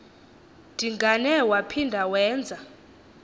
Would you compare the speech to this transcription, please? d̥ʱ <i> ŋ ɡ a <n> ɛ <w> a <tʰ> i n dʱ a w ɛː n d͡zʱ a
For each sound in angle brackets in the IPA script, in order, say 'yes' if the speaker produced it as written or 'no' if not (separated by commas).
yes, yes, yes, no